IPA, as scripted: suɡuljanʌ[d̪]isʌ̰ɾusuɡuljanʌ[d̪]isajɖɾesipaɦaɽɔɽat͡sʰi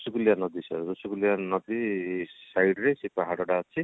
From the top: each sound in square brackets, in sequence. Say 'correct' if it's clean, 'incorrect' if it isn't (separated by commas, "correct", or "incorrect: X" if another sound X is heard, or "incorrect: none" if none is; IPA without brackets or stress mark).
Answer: correct, correct